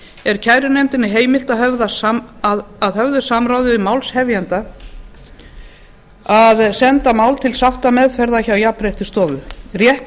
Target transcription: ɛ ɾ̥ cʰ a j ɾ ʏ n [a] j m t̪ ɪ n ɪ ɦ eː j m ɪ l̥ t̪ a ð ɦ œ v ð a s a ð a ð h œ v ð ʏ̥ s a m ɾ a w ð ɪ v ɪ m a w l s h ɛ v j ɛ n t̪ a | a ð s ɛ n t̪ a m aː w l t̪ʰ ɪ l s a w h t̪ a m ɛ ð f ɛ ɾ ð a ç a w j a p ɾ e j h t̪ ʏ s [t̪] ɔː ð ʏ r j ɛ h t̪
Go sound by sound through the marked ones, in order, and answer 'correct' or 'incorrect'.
incorrect: e, correct

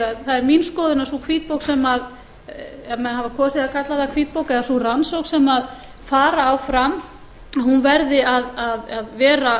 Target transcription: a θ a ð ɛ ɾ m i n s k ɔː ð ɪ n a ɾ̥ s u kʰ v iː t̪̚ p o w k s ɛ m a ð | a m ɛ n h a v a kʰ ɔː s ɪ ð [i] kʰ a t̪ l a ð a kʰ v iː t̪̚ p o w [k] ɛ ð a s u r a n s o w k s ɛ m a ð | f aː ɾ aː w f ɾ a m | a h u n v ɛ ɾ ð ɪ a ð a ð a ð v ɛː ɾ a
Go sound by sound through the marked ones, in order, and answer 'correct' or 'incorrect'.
incorrect: a, correct

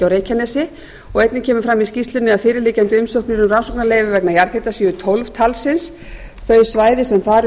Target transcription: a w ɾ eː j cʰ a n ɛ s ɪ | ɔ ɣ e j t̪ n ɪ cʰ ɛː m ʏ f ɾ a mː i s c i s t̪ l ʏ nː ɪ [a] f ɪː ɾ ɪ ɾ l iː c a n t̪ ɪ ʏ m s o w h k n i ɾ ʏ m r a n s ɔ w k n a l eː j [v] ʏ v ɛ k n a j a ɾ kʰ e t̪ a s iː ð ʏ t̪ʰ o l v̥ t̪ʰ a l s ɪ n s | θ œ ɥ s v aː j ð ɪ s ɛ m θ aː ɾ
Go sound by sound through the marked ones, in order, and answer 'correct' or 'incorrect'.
correct, correct

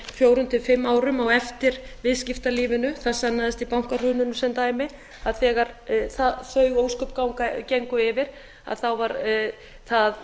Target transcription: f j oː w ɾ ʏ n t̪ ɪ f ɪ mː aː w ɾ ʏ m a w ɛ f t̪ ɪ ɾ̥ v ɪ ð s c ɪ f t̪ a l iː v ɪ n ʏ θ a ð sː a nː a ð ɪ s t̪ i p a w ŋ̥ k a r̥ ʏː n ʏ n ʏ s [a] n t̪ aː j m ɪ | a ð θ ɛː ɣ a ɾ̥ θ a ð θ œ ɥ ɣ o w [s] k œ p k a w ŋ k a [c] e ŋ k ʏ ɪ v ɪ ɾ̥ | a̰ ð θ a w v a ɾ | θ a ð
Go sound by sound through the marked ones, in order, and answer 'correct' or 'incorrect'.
incorrect: ɛ, correct, correct

